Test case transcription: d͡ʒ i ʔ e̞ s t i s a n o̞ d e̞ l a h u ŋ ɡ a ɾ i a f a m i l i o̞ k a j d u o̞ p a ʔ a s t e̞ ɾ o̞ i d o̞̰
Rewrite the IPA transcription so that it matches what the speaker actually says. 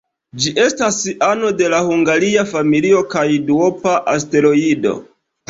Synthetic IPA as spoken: d͡ʒ i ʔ e̞ s t a s a n o̞ d e̞ l a h u ŋ ɡ a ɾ i a f a m i l i o̞ k a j d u o̞ p a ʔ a s t e̞ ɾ o̞ i d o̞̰

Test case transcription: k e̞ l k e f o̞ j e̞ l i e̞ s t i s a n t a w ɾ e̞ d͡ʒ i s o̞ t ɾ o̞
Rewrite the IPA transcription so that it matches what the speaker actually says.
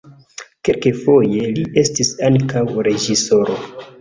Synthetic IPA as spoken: k e̞ l k e f o̞ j e̞ l i e̞ s t i s a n k a w ɾ e̞ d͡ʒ i s o̞ ɾ o̞

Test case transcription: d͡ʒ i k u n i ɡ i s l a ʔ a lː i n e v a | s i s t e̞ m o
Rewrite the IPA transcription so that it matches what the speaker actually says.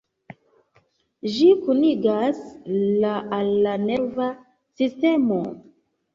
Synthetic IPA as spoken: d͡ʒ i k u n i ɡ a s l a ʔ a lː a n e v a | s i s t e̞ m o

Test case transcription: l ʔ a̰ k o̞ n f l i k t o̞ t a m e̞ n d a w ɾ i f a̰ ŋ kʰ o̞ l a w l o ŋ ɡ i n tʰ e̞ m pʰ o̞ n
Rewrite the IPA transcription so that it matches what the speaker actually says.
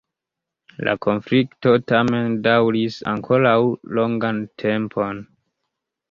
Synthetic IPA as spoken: l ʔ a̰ k o̞ n f l i k t o̞ t a m e̞ n d a w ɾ i s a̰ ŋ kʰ o̞ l a w l o ŋ ɡ a n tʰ e̞ m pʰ o̞ n

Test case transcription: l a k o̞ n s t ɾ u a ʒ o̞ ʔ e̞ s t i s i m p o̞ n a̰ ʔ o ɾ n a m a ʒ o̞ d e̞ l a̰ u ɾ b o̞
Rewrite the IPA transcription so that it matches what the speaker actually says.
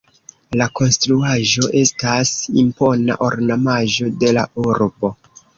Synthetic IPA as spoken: l a k o̞ n s t ɾ u a ʒ o̞ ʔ e̞ s t a s i m p o̞ n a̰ ʔ o ɾ n a m a ʒ o̞ d e̞ l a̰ u ɾ b o̞

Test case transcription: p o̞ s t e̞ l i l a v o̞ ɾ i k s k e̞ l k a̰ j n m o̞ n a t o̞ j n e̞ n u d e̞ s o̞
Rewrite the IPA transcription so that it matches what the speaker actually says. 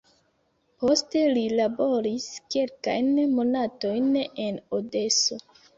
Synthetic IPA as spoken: p o̞ s t e̞ l i l a b o̞ ɾ i s k e̞ l k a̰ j n m o̞ n a t o̞ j n e̞ n o d e̞ s o̞

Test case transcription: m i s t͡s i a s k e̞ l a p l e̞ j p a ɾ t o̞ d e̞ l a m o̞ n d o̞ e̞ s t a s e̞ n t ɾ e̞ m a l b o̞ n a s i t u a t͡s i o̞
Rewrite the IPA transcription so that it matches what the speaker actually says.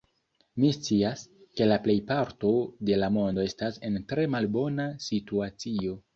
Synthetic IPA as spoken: m i s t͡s i a s k e̞ l a p l e̞ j p a ɾ t o̞ d e̞ l a m o̞ n d o̞ e̞ s t a s e̞ n t ɾ e̞ m a l b o̞ n a s i t u a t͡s i o̞

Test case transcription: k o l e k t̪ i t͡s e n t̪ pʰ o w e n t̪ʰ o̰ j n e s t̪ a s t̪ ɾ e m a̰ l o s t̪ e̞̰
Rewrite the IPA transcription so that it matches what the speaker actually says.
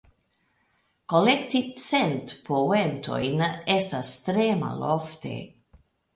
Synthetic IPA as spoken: k o l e k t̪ i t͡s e n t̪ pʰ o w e n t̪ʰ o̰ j n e s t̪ a s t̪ ɾ e m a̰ l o f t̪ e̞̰

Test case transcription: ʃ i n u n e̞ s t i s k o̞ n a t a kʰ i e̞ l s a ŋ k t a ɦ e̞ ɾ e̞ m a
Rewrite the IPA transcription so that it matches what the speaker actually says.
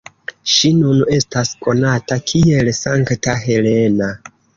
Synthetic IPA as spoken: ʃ i n u n e̞ s t a s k o̞ n a t a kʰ i e̞ l s a ŋ k t a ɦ e̞ l e̞ n a

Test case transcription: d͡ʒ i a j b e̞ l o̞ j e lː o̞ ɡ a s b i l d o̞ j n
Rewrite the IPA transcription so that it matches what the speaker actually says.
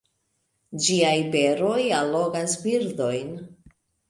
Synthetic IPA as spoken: d͡ʒ i a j b e̞ ɾ o̞ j a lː o̞ ɡ a s b i ɾ d o̞ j n

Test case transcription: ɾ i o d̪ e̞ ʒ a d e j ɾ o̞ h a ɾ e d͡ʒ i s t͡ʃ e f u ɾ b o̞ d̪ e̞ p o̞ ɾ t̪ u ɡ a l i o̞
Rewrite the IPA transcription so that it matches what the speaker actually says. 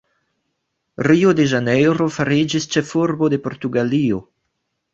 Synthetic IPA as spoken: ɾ i o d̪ e̞ ʒ a n e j ɾ o̞ f a ɾ i d͡ʒ i s t͡ʃ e f u ɾ b o̞ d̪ e̞ p o̞ ɾ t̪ u ɡ a l i o̞

